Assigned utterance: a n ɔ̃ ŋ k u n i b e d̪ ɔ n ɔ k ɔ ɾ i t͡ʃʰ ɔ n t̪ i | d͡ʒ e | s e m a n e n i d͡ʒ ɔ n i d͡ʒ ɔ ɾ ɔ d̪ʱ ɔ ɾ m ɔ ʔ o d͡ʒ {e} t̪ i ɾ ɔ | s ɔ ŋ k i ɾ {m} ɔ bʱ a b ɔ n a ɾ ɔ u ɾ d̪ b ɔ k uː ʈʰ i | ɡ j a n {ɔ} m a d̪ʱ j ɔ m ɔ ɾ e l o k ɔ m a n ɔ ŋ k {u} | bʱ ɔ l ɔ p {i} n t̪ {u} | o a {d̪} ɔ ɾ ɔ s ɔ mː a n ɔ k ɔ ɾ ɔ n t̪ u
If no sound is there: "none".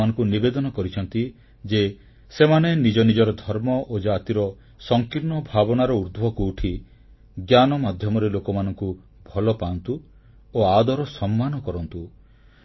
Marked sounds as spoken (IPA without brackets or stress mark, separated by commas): a, n, ɔ, u, a, u, d̪